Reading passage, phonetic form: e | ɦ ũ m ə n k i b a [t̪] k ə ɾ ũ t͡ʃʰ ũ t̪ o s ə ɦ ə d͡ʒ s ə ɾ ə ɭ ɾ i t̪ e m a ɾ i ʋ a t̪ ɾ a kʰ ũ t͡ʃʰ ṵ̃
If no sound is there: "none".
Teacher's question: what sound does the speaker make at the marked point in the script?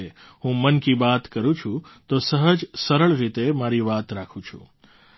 t̪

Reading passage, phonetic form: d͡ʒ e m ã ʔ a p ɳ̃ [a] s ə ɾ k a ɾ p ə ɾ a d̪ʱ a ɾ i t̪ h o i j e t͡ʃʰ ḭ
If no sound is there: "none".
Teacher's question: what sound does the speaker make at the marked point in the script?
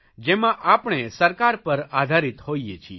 e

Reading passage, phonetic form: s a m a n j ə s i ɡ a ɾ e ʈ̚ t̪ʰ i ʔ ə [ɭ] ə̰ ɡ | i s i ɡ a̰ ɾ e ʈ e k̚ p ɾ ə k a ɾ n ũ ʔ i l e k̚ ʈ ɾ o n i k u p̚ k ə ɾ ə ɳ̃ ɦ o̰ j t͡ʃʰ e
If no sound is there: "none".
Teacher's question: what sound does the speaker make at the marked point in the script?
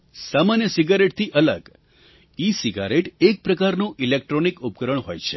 l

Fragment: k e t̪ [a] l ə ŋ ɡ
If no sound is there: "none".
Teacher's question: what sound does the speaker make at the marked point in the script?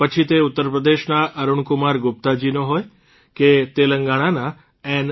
e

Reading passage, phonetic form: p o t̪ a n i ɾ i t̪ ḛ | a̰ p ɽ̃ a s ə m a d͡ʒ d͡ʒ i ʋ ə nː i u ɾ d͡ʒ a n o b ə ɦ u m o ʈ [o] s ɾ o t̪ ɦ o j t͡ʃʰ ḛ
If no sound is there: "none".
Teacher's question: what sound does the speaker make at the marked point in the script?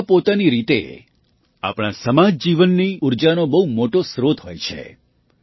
o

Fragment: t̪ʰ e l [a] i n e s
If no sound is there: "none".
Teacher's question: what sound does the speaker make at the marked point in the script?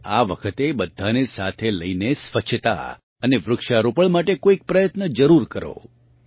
ə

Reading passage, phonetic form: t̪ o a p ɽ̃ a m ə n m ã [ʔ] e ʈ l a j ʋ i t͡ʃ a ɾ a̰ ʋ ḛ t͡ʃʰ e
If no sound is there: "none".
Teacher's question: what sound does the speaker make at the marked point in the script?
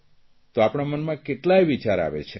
k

